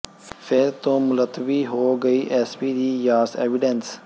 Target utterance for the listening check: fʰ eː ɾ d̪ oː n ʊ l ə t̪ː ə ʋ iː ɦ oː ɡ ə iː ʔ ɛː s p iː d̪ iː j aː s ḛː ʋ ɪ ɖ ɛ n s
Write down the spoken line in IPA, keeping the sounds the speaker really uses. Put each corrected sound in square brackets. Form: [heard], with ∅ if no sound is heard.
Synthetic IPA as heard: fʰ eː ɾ [t̪] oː [m] ʊ l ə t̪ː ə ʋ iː ɦ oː ɡ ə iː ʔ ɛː s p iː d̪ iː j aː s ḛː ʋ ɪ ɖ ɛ n s